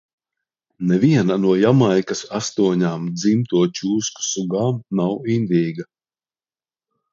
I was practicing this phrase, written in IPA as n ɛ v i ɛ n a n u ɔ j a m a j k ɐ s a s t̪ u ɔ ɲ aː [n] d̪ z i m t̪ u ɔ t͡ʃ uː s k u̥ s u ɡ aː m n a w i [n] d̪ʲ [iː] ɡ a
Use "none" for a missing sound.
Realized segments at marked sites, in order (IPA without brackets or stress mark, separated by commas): m, n, iː